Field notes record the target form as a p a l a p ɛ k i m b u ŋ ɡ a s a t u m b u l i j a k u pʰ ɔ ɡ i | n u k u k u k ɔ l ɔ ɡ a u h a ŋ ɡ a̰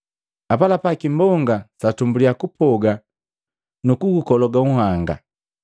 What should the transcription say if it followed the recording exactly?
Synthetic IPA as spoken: a p a l a p a k i m b ɔ ŋ ɡ a s a t u m b u l i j a k u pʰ ɔ ɡ a | n u k u ɡ u k ɔ l ɔ ɡ a u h a ŋ ɡ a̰

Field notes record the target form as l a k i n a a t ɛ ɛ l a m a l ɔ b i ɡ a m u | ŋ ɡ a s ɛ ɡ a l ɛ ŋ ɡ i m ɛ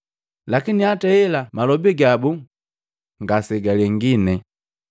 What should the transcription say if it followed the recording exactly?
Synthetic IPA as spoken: l a k i n i a t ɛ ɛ l a m a l ɔ b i ɡ a b u | ŋ ɡ a s ɛ ɡ a l ɛ ŋ ɡ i n ɛ

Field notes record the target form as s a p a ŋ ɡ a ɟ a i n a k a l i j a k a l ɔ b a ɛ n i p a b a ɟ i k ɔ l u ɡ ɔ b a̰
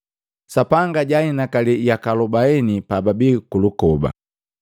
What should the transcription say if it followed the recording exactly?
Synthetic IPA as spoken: s a p a ŋ ɡ a ɟ a i n a k a l i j a k a l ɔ b a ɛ n i p a b a b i k u l u k ɔ b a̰

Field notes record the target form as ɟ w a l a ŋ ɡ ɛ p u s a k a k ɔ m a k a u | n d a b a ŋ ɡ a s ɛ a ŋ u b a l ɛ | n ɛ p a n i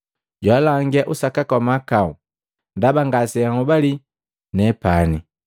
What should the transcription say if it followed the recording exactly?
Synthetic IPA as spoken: ɟ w a l a ŋ ɡ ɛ ʔ u s a k a k ɔ m a k a u | n d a b a ŋ ɡ a s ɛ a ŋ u b a l i | n ɛ p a n i

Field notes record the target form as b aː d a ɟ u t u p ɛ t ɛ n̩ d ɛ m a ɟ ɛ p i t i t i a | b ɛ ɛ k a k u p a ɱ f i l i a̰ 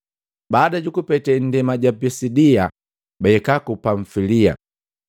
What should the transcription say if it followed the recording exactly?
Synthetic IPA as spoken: b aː d a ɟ u k u p ɛ t ɛ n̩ d ɛ m a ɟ a p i s i d i a | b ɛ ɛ k a k u p a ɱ f i l i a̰

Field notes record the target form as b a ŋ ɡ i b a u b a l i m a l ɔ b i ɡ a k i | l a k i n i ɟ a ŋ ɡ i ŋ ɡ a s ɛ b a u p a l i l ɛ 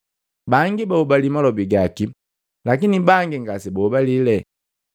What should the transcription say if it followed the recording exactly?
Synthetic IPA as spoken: b a ŋ ɡ i b a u b a l i m a l ɔ b i ɡ a k i | l a k i n i b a ŋ ɡ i ŋ ɡ a s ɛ b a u b a l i l ɛ

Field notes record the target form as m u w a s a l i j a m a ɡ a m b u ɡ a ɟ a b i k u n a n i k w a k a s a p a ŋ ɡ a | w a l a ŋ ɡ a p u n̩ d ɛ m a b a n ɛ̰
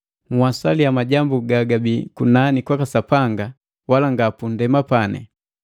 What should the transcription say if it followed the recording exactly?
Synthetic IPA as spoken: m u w a s a l i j a m a ɟ a m b u ɡ a ɡ a b i k u n a n i k w a k a s a p a ŋ ɡ a | w a l a ŋ ɡ a p u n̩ d ɛ m a p a n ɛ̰

